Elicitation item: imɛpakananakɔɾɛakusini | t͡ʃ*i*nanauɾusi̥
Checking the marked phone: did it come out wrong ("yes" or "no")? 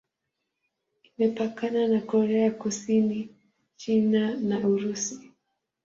no